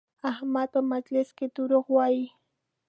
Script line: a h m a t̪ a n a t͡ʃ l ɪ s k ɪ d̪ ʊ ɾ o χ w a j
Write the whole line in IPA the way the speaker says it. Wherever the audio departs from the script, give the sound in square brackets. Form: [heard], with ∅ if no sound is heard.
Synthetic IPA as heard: a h m a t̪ a [m] a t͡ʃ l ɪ s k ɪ [t̪] ʊ ɾ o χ w a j